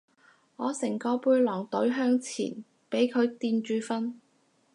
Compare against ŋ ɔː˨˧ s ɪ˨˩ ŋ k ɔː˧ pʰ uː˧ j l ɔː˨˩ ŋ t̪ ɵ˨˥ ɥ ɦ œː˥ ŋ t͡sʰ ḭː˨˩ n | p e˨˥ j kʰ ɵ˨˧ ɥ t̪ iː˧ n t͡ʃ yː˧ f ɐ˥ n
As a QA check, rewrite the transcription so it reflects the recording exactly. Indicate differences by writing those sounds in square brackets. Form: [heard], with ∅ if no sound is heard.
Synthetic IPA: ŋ ɔː˨˧ s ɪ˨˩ ŋ k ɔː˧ [p] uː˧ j l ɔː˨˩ ŋ t̪ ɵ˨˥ ɥ ɦ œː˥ ŋ t͡sʰ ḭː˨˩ n | p e˨˥ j kʰ ɵ˨˧ ɥ t̪ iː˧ n t͡ʃ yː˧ f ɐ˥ n